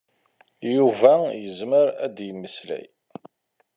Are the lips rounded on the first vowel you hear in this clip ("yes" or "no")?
yes